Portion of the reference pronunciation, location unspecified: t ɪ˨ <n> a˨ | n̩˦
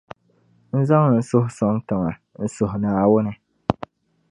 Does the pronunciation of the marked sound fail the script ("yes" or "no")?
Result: yes